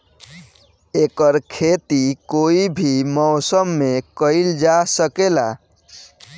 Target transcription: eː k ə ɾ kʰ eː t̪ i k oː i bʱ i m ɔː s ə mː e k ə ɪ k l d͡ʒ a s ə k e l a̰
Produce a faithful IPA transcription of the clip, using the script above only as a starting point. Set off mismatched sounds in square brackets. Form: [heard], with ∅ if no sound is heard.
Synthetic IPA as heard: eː k ə ɾ kʰ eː t̪ i k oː i bʱ i m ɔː s ə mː e k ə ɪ [∅] l d͡ʒ a s ə k e l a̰